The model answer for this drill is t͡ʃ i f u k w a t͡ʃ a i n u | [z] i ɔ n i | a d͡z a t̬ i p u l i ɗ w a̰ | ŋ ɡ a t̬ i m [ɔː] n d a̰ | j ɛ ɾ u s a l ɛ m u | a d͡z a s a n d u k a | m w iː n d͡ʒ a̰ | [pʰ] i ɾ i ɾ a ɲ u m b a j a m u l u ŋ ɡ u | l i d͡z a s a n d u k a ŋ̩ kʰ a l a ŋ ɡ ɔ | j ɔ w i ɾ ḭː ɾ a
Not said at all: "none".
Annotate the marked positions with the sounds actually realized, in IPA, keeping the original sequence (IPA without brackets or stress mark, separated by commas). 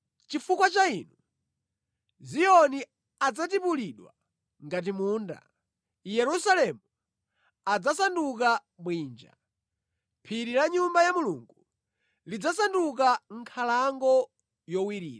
z, uː, pʰ